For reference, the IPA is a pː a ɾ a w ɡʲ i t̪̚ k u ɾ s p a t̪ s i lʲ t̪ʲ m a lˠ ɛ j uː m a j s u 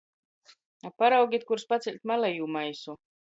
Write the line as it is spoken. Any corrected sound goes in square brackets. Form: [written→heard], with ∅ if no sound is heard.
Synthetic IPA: a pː a ɾ a w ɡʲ i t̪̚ k u ɾ s p a t̪ s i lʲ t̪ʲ m a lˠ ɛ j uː m a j s u